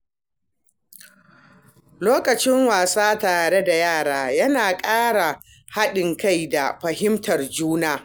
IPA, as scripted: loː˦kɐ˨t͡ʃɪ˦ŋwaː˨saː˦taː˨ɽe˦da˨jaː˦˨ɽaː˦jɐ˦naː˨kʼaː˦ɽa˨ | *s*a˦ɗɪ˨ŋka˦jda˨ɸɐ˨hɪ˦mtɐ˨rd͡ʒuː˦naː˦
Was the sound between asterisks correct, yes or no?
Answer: no